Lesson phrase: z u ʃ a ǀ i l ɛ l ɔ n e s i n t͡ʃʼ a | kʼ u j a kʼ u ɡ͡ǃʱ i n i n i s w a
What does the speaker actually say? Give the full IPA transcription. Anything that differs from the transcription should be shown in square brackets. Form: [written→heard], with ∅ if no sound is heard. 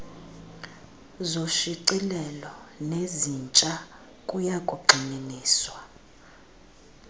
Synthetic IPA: z [u→o] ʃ [a→i] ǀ i l ɛ l ɔ n e [s→z] i n t͡ʃʼ a | kʼ u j a kʼ u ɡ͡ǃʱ i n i n [i→iː] s w a